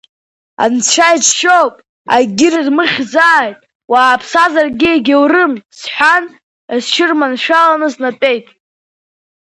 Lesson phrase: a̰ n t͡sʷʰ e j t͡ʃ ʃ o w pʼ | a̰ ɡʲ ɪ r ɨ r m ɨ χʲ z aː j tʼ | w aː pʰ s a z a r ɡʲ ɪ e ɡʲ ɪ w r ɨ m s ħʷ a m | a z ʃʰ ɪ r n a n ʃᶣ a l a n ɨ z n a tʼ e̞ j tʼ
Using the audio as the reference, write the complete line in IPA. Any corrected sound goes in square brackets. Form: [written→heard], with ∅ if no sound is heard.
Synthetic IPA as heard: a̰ n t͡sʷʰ [e→a] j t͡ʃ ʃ o w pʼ | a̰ ɡʲ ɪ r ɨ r m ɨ χʲ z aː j tʼ | w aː pʰ s a z a r ɡʲ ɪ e ɡʲ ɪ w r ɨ m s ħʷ a [m→n] | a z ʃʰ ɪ r [n→m] a n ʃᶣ a l a n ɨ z n a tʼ e̞ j tʼ